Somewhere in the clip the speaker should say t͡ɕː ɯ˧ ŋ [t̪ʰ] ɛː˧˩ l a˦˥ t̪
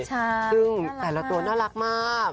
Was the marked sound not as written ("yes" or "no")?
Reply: yes